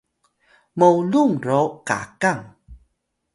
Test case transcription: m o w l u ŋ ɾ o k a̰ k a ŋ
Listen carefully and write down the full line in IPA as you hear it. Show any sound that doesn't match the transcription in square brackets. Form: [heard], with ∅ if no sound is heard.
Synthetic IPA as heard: m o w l u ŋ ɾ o k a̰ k a ŋ